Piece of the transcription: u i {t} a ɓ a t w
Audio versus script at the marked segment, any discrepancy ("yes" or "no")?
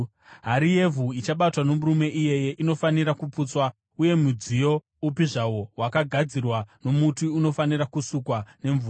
yes